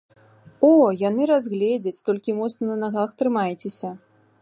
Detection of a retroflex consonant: absent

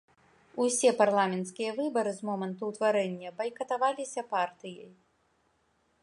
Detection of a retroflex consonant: absent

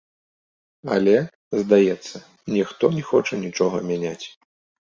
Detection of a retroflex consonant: present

